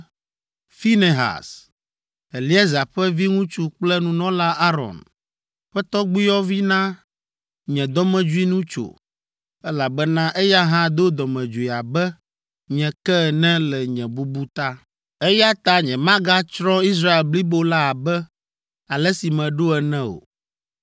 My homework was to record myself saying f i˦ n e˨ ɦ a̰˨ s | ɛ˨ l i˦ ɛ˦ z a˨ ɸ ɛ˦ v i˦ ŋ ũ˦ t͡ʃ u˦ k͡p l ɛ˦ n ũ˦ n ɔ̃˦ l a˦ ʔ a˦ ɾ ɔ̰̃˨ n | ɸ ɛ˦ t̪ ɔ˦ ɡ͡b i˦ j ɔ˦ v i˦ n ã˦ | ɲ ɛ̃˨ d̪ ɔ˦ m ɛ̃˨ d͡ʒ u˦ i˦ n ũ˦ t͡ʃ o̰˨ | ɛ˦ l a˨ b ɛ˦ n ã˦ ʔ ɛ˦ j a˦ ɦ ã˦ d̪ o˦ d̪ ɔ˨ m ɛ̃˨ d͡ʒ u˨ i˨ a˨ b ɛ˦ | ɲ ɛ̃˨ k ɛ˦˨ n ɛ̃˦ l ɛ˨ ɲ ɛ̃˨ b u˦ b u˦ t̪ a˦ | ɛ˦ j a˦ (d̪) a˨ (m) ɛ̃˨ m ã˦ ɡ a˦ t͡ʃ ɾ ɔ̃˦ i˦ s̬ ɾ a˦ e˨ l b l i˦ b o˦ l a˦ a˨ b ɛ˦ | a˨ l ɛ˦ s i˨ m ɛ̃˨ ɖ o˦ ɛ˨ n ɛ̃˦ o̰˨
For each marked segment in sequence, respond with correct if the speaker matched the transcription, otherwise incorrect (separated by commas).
incorrect, incorrect